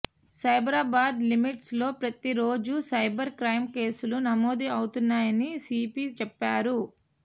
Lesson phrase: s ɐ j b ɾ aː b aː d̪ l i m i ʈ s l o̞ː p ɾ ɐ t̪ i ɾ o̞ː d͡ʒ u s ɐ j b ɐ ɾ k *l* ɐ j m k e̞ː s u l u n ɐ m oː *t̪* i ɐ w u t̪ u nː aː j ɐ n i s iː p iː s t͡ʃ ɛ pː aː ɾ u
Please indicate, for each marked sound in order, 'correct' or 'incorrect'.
incorrect: ɾ, incorrect: d̪

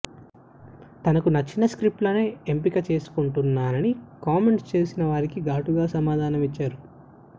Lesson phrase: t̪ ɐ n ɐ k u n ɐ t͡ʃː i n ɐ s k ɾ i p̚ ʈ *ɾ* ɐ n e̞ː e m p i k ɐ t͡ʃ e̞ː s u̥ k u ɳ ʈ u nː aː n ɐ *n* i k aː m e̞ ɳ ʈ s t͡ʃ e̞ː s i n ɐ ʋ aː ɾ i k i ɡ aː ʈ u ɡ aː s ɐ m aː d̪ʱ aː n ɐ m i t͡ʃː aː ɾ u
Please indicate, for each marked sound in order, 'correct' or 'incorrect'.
incorrect: l, correct

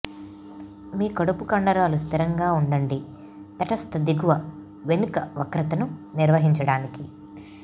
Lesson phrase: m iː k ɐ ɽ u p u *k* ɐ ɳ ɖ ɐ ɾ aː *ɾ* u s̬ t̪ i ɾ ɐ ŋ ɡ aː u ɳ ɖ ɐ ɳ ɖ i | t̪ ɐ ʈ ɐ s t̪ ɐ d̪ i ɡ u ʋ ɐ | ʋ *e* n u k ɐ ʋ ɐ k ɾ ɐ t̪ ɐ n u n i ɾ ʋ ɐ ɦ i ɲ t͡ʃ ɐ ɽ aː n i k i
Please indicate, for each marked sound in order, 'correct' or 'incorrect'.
correct, incorrect: l, correct

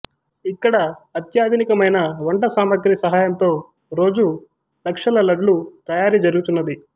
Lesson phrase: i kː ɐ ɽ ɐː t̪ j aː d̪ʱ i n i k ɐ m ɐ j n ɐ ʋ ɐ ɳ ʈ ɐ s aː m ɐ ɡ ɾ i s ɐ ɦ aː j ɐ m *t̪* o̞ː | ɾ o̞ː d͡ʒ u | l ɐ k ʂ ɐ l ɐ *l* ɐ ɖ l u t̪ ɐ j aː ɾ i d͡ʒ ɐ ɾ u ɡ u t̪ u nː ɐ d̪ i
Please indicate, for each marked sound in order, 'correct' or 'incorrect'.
correct, correct

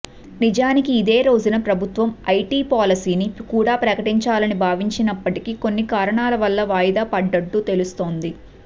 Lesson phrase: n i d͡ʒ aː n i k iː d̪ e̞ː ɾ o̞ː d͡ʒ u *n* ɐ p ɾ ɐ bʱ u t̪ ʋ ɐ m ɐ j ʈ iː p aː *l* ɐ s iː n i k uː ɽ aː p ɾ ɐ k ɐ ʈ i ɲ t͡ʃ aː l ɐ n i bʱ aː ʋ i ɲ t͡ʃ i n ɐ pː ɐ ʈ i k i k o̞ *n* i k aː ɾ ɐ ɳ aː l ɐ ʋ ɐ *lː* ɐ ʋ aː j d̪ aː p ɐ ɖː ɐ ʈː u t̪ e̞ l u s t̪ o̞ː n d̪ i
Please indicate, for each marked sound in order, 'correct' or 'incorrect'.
correct, correct, incorrect: nː, correct

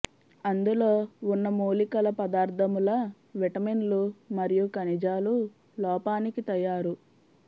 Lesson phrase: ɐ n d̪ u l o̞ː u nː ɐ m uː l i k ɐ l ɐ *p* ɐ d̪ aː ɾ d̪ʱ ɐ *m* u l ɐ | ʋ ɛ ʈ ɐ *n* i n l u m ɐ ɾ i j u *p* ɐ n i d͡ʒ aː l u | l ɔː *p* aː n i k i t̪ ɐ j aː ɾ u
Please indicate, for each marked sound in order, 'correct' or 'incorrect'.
correct, correct, incorrect: m, incorrect: k, correct

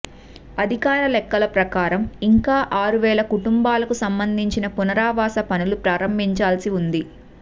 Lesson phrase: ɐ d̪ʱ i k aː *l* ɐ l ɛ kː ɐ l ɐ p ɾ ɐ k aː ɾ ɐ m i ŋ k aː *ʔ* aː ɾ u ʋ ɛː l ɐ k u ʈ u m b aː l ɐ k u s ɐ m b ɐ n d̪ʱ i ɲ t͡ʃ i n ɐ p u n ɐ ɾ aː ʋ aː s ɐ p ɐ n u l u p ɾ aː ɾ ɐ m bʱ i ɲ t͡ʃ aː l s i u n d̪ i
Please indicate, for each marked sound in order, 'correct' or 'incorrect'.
incorrect: ɾ, correct

